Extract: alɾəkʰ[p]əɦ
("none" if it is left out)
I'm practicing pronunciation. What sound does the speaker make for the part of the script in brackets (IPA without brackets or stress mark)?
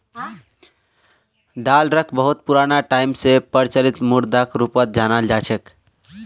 b